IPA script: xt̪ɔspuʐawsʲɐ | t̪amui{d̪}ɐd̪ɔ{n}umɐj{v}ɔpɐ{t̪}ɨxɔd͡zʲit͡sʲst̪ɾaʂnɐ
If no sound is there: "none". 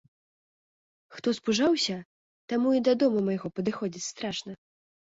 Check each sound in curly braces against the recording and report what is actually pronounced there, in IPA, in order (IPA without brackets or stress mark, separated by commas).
d̪, m, ɣ, d̪